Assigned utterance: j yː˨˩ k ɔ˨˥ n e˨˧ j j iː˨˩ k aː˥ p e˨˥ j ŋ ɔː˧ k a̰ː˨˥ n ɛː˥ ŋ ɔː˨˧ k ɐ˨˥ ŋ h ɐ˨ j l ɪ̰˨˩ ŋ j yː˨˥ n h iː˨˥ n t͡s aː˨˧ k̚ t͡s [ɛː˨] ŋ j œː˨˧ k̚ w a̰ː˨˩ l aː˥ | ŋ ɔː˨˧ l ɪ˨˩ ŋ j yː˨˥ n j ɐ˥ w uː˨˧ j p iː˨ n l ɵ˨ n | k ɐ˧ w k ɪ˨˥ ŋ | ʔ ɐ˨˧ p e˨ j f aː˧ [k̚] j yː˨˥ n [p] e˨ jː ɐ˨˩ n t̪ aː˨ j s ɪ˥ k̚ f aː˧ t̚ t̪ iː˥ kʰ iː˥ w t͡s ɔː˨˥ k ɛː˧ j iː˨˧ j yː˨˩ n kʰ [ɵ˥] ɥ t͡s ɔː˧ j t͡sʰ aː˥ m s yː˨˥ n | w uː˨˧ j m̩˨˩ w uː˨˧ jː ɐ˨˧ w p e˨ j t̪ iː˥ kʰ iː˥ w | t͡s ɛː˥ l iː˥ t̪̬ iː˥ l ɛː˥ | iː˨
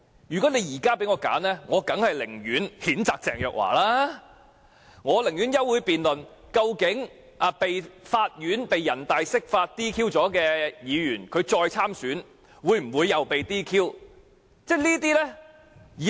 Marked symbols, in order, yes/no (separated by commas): yes, no, yes, no